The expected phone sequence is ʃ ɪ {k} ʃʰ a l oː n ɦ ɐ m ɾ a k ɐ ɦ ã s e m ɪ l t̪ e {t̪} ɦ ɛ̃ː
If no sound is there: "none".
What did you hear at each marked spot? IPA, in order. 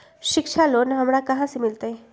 k, none

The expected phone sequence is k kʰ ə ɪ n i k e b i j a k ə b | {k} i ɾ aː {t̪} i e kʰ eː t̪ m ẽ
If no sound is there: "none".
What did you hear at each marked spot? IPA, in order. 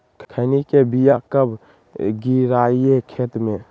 ɡ, none

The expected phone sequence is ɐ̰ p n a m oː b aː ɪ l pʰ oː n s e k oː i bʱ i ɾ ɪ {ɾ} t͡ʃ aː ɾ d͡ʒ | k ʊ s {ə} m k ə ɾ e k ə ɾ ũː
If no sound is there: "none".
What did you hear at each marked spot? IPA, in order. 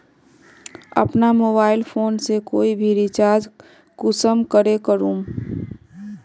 none, ə

